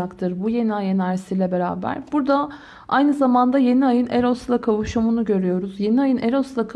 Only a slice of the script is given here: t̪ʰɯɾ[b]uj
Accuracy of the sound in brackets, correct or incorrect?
correct